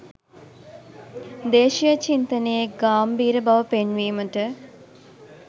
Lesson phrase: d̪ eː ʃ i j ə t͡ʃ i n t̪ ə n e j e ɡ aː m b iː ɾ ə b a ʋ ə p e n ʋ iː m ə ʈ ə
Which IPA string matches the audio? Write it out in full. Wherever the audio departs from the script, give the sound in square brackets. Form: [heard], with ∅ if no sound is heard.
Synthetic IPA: d̪ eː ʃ i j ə t͡ʃ i n t̪ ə n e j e ɡ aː m b iː ɾ ə b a ʋ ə p e n ʋ iː m ə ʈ ə